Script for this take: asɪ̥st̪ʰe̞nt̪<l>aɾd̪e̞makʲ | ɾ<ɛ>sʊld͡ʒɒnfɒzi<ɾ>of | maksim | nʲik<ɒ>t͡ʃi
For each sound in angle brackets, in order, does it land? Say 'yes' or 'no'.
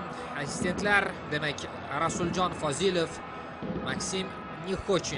yes, no, no, no

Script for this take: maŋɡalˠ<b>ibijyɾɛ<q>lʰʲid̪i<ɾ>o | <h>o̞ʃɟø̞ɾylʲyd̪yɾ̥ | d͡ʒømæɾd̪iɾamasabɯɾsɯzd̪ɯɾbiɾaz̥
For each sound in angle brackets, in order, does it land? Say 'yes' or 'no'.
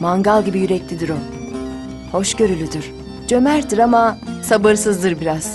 no, no, yes, yes

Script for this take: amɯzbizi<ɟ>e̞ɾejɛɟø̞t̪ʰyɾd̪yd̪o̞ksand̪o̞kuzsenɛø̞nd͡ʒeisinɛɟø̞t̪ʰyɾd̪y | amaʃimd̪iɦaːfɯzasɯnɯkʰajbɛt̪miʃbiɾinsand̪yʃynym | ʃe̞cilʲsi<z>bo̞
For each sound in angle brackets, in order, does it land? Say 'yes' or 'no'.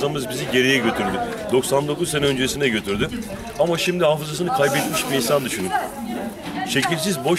yes, yes

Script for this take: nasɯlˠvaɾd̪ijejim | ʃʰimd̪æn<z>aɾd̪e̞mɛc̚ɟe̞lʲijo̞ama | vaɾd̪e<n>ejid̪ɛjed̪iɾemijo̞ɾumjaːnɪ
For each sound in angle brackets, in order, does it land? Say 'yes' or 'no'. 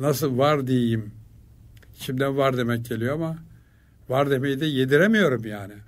no, no

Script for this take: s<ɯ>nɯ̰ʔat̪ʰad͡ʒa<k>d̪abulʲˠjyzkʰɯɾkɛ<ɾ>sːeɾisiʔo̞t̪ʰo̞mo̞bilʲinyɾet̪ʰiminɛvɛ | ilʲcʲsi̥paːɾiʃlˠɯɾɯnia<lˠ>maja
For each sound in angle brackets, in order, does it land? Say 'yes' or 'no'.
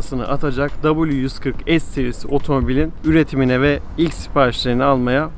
yes, yes, no, yes

